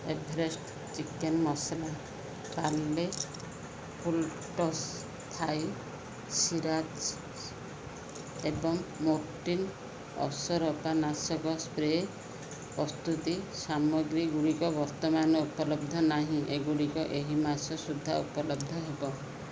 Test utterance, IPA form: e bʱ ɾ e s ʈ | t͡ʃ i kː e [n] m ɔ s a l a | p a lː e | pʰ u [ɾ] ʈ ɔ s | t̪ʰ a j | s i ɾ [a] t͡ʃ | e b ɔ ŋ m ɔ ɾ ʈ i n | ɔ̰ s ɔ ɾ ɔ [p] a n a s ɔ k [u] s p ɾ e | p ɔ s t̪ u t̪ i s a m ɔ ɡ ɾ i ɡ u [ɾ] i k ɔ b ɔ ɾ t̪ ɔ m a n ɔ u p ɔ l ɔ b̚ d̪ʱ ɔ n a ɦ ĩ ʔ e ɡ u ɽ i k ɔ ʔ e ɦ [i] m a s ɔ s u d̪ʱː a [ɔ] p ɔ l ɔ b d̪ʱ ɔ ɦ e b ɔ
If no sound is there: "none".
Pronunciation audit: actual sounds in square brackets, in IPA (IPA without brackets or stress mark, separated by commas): n, l, a, p, ɔ, ɽ, i, u